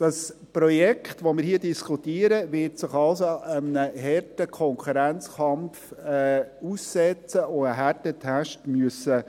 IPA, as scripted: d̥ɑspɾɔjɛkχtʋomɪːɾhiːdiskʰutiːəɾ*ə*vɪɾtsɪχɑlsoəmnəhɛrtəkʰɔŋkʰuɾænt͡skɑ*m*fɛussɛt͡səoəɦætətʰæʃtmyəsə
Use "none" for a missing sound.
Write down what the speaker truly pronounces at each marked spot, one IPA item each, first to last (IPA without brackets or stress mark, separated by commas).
ə, m